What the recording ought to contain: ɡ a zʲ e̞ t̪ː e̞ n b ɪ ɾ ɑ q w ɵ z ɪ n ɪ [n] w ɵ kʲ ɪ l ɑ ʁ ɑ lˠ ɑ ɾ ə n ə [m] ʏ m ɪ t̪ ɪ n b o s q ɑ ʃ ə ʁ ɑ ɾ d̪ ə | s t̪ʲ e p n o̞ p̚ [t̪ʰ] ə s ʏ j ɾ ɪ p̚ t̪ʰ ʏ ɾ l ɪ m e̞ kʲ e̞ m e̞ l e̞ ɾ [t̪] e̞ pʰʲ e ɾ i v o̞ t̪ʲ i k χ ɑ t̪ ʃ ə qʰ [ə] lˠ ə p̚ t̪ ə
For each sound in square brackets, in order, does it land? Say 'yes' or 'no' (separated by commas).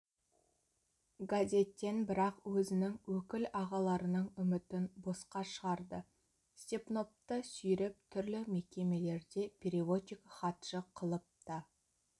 no, no, no, no, yes